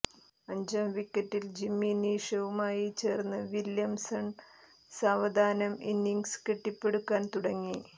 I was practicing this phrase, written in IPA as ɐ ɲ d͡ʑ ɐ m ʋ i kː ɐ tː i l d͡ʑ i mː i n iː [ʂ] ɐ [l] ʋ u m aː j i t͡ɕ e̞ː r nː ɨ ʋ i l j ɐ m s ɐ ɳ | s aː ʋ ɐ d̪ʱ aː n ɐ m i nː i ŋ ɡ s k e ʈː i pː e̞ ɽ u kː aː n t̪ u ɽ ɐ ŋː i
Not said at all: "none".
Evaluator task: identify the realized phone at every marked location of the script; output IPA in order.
ʂ, none

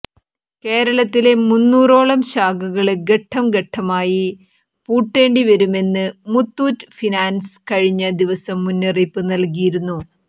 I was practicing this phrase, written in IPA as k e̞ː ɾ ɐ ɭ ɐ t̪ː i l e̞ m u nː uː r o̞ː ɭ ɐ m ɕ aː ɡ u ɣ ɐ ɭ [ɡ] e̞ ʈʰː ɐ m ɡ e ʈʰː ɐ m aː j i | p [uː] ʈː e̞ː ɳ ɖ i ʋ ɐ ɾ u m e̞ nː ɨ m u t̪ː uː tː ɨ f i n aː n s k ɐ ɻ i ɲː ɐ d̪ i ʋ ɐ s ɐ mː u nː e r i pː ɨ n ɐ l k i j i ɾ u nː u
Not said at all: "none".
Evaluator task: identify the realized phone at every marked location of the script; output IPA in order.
ɡ, uː

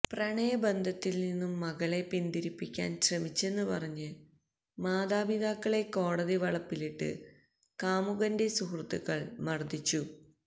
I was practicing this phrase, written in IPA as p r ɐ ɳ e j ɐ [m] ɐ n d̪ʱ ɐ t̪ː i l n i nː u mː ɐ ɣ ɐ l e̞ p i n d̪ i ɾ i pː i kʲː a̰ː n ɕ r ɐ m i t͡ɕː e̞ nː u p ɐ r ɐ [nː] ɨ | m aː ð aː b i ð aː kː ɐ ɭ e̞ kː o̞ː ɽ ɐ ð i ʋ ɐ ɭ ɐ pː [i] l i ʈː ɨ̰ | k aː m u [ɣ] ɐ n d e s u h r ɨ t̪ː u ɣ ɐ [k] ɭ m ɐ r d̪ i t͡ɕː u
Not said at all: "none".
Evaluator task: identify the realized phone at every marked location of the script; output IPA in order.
b, ɲː, i, ɣ, none

